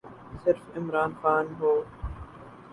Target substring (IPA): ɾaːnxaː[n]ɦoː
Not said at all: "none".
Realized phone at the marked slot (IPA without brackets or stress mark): n